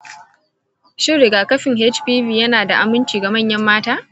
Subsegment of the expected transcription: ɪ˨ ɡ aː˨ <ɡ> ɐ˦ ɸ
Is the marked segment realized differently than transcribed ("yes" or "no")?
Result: yes